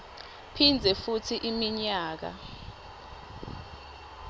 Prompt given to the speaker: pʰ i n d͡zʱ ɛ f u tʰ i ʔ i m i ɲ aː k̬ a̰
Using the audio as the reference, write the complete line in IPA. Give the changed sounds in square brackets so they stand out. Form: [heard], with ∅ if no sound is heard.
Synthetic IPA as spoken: pʰ i n d͡zʱ ɛ f u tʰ i ʔ i m i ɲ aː k̬ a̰